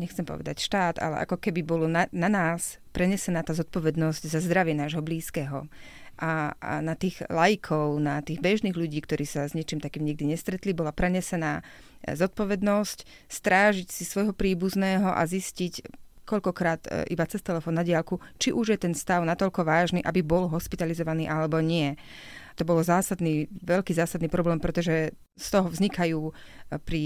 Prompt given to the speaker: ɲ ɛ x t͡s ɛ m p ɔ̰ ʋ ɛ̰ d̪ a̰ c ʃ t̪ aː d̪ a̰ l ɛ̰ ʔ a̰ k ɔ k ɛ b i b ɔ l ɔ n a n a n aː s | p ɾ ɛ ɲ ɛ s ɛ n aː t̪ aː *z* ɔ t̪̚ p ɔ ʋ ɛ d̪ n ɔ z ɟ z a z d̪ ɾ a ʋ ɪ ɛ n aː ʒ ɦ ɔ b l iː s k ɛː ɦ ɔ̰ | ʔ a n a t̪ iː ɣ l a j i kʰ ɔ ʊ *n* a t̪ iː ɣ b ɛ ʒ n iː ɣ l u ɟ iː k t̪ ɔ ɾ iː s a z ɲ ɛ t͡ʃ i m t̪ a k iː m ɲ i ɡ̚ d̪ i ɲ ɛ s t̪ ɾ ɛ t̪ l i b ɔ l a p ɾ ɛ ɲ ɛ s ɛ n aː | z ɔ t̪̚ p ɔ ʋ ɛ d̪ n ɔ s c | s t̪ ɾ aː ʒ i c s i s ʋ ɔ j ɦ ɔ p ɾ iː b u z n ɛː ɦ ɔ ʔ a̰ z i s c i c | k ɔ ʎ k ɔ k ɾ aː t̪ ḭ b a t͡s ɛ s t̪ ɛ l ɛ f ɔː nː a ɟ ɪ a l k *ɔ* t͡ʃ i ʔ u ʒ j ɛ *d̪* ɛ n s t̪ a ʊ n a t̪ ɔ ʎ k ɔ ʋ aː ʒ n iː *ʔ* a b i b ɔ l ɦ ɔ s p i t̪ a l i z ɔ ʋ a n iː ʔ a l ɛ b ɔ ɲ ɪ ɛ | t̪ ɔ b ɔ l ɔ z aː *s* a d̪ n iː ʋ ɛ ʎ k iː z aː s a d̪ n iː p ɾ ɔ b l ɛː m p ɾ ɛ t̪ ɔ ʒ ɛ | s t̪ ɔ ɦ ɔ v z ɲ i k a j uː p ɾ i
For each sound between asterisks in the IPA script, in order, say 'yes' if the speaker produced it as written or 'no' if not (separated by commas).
yes, yes, no, no, yes, yes